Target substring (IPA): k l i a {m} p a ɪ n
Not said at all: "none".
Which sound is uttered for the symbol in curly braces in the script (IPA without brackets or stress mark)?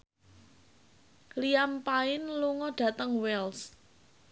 m